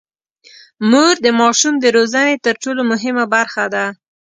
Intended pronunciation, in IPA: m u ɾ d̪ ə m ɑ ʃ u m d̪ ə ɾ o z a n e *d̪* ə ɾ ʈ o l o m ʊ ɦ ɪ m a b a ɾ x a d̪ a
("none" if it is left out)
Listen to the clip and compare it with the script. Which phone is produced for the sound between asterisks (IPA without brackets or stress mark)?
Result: t̪